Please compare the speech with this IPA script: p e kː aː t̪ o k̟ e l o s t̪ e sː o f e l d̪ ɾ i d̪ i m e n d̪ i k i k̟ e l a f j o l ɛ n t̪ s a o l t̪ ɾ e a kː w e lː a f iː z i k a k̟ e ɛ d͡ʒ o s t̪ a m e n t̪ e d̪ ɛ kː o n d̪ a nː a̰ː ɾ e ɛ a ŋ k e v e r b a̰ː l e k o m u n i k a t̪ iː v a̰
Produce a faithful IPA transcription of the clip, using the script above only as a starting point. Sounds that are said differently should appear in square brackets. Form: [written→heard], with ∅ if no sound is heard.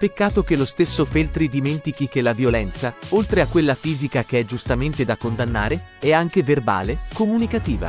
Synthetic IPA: p e kː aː t̪ o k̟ e l o s t̪ e sː o f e l [d̪→t̪] ɾ i d̪ i m e n [d̪→t̪] i k i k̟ e l a [f→v] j o l ɛ n t̪ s a o l t̪ ɾ e a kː w e lː a f iː z i k a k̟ e ɛ d͡ʒ [o→u] s t̪ a m e n t̪ e d̪ [ɛ→a] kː o n d̪ a nː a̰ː ɾ e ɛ a ŋ k e v e r b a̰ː l e k o m u n i k a t̪ iː v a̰